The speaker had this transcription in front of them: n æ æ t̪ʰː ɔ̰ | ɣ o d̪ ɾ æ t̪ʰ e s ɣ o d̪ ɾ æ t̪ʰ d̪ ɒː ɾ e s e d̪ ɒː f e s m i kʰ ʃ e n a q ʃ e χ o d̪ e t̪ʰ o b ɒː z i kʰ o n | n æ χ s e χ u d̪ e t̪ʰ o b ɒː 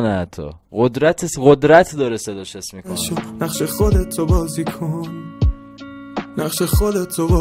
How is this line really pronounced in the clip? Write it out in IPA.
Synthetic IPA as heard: n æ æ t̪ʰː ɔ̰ | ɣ o d̪ ɾ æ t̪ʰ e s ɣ o d̪ ɾ æ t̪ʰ d̪ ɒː ɾ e s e d̪ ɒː ʃ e s m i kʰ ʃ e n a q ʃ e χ o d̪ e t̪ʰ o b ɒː z i kʰ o n | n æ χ ʃ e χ o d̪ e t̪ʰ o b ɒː